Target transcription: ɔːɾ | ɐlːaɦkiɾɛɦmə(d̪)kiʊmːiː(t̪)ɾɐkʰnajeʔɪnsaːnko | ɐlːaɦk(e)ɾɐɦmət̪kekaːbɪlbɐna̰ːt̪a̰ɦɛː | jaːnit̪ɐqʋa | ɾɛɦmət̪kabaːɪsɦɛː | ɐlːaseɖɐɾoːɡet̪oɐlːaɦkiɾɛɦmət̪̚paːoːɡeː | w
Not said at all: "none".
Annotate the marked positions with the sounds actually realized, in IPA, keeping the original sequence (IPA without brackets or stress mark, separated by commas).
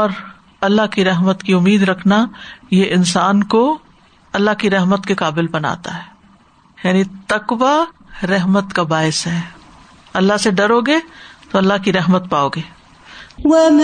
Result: t̪, d̪, i